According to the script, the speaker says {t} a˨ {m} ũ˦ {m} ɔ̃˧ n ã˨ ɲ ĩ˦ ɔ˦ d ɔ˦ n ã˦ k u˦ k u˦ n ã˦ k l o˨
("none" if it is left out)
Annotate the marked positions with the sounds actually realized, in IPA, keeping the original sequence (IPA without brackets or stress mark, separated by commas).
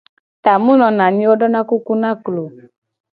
t, m, n